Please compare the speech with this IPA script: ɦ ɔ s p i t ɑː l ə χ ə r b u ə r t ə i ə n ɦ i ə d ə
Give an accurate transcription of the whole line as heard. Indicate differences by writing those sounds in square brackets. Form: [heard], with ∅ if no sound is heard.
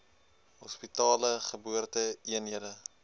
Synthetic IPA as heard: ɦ ɔ s p i t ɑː l ə χ ə [∅] b u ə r t ə i ə n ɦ i ə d ə